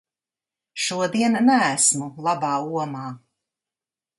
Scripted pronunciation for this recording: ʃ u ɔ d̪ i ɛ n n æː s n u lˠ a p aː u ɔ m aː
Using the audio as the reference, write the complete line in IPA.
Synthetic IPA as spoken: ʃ u ɔ d̪ i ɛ n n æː s m u lˠ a b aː u ɔ m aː